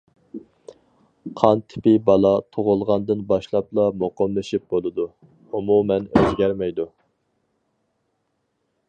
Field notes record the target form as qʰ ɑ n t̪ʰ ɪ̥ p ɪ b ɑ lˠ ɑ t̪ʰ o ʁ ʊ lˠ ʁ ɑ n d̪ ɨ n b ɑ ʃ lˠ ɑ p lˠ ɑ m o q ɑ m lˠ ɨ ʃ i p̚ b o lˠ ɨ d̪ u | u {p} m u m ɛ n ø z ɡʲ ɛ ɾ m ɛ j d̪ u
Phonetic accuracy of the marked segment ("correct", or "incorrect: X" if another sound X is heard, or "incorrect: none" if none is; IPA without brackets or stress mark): incorrect: none